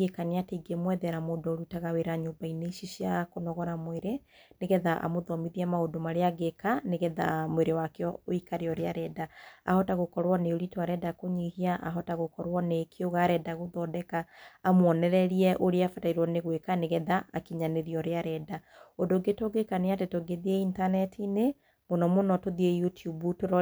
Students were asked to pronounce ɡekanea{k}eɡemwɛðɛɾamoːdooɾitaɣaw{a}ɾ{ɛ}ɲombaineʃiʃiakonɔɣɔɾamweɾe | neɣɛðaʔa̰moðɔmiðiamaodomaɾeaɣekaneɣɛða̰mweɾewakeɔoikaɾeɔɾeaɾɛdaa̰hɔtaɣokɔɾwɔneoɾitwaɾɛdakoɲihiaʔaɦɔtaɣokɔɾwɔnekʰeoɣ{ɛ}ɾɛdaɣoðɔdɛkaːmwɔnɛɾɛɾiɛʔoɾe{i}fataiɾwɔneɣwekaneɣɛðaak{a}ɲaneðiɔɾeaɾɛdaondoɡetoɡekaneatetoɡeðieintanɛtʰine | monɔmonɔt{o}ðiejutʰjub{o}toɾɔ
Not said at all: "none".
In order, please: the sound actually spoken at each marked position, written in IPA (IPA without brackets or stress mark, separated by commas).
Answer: t, e, a, a, a, i, o, u